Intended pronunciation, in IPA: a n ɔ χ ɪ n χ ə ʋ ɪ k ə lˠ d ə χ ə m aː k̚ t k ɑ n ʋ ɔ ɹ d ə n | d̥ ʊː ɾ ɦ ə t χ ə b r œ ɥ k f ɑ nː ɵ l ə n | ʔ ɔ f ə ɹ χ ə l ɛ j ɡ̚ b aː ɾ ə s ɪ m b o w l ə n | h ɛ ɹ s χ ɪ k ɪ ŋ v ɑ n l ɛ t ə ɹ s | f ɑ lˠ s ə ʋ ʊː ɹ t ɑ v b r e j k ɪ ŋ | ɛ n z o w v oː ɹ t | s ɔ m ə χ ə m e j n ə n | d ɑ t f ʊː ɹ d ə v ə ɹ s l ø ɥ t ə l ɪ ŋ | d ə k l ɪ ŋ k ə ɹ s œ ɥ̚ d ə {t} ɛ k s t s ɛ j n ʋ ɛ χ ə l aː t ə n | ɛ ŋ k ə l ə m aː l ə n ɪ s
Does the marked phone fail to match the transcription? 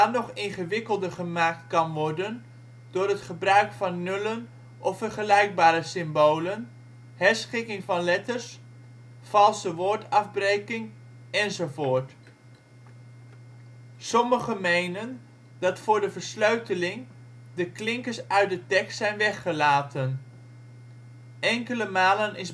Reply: no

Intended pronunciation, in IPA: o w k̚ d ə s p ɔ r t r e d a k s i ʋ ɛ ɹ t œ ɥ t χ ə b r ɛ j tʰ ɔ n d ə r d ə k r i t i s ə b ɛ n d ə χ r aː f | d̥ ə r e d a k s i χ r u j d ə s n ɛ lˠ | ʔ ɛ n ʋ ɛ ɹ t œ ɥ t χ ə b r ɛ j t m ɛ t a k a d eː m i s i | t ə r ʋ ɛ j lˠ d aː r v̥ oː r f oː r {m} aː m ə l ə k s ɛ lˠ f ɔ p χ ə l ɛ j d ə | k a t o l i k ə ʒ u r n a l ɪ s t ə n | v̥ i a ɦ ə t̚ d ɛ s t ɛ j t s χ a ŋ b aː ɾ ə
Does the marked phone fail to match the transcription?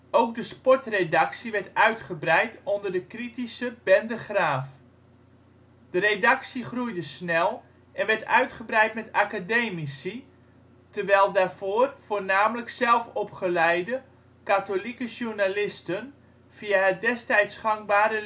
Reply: yes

